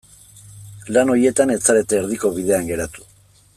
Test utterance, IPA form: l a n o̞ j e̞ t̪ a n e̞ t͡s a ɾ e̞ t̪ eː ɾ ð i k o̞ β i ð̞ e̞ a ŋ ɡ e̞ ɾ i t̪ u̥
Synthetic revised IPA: l a n o̞ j e̞ t̪ a n e̞ t͡s a ɾ e̞ t̪ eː ɾ ð i k o̞ β i ð̞ e̞ a ŋ ɡ e̞ ɾ a t̪ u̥